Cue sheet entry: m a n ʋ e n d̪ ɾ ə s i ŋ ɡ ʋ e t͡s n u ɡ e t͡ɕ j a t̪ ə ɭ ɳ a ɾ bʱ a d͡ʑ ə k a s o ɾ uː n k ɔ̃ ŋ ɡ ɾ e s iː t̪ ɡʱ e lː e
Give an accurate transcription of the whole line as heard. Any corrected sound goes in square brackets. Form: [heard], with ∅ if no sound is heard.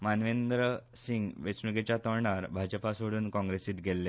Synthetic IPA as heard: m a n ʋ e n d̪ ɾ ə s i ŋ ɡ ʋ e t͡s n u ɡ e t͡ɕ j a t̪ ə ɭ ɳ a ɾ bʱ a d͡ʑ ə [p] a s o [ɽ] uː n k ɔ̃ ŋ ɡ ɾ e s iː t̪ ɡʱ e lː e